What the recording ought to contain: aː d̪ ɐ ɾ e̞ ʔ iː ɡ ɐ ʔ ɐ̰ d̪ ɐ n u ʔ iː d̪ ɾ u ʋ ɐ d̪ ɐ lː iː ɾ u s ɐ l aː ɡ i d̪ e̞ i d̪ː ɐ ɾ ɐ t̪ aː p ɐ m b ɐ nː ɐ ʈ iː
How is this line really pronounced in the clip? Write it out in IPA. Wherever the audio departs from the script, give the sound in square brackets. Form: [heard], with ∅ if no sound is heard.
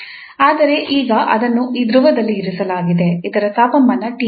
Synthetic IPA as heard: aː d̪ ɐ ɾ e̞ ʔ iː ɡ ɐ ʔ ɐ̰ d̪ ɐ [nː] u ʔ iː d̪ ɾ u ʋ ɐ d̪ ɐ lː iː ɾ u s ɐ l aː ɡ i d̪ e̞ i [d̪] ɐ ɾ ɐ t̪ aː p ɐ m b ɐ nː ɐ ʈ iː